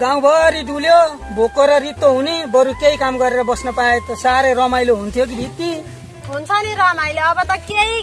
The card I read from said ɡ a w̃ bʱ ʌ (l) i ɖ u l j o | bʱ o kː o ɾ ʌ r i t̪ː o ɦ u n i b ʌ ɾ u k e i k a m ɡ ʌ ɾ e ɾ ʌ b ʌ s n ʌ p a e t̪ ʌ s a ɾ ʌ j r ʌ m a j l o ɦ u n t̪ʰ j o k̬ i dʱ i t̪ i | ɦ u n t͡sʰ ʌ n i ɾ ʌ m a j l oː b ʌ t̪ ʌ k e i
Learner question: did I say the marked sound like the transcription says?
no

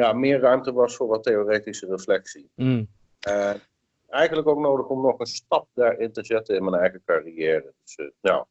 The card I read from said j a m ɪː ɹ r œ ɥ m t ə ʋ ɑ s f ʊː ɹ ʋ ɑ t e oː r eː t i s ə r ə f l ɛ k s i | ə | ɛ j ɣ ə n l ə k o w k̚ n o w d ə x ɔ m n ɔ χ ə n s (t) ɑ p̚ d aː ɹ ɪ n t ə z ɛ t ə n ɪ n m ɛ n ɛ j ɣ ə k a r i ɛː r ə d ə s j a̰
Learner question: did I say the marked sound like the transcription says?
yes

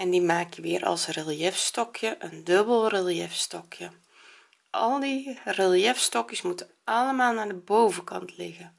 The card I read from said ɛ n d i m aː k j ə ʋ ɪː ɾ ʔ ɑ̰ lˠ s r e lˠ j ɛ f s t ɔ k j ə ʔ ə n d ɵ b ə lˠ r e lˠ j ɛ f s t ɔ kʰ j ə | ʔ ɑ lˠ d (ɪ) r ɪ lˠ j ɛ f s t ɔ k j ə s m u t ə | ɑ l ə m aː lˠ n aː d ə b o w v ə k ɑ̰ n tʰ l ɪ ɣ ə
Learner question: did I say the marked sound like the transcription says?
no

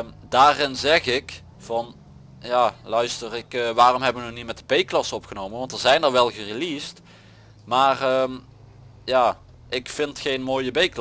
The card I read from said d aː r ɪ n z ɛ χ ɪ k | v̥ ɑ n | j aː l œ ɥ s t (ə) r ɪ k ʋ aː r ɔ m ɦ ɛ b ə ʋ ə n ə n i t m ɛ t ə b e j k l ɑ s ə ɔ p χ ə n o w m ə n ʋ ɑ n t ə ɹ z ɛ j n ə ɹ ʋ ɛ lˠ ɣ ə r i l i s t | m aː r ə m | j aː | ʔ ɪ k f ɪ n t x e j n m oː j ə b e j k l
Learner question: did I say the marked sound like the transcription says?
yes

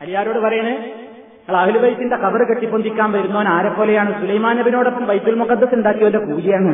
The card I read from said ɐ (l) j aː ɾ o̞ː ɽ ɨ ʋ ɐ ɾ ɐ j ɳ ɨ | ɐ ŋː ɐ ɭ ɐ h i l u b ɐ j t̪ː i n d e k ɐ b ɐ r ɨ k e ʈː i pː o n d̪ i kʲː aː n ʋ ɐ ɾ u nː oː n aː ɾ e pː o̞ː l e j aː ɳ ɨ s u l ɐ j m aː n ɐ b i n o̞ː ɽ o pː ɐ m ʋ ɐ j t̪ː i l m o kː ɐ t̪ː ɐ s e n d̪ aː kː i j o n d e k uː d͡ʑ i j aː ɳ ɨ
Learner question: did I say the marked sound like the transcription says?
yes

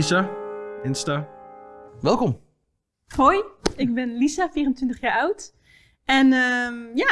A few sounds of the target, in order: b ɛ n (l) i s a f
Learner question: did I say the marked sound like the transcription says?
yes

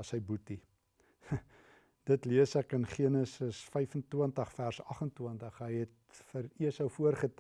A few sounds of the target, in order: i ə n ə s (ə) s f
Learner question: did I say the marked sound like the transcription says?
yes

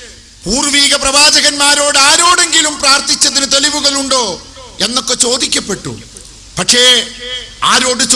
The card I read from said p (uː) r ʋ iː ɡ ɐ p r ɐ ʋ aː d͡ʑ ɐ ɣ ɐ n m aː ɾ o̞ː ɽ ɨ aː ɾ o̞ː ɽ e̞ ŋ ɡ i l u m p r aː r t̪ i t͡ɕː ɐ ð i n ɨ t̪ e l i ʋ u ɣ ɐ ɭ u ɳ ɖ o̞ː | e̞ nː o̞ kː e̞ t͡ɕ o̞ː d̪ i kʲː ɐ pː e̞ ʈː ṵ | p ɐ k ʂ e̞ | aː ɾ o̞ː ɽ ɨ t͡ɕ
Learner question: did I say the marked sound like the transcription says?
yes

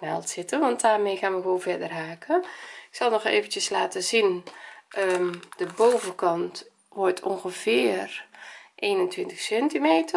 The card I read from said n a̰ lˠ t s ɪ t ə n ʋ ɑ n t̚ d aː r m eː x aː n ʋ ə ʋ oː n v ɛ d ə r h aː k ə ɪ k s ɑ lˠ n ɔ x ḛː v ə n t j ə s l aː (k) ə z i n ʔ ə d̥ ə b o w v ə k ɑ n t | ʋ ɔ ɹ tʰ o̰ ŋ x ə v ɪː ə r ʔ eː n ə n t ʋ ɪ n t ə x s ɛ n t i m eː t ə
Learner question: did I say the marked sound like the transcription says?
no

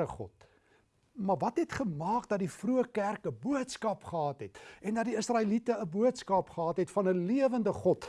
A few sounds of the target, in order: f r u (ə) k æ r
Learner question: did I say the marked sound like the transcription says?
yes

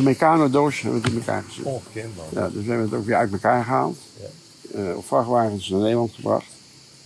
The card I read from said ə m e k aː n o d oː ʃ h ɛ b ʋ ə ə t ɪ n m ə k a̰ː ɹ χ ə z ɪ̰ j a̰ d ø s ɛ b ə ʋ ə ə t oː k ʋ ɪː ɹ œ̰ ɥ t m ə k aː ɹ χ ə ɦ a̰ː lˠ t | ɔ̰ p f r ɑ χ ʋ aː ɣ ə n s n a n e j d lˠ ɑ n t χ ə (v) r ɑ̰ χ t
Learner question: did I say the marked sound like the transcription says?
no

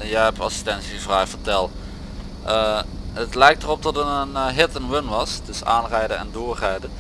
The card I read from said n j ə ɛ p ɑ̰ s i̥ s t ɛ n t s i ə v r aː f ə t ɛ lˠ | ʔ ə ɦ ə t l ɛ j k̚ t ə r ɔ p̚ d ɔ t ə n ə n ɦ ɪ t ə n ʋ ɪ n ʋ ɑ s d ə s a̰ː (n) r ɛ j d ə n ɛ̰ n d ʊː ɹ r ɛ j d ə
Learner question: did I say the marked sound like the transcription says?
yes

